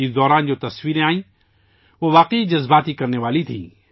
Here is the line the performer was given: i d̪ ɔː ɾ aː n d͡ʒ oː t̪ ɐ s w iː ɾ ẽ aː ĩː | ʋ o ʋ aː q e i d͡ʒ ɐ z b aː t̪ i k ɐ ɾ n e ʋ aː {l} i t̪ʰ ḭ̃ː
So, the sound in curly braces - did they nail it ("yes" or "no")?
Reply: yes